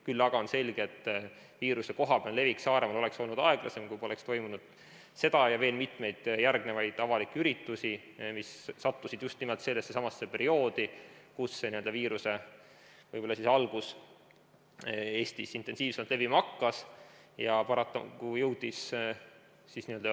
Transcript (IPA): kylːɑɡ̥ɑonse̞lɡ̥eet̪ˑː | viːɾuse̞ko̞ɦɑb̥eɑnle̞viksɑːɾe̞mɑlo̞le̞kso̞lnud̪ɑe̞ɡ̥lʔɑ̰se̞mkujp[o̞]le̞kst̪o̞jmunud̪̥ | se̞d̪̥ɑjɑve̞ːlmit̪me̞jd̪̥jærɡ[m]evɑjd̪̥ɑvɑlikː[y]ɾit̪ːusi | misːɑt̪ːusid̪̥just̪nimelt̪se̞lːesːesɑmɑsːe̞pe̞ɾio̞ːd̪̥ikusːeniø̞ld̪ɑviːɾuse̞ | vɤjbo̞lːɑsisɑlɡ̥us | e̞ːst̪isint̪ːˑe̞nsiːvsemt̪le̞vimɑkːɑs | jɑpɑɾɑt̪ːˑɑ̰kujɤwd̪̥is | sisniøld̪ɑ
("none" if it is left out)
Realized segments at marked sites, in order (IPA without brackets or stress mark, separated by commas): o̞, n, y